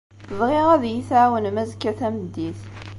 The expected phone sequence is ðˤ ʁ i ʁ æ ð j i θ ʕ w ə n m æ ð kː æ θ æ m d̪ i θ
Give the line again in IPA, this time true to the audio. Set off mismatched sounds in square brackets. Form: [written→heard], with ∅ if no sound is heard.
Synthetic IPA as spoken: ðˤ ʁ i ʁ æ ð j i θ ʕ w ə n m æ [ð→z] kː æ θ æ m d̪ i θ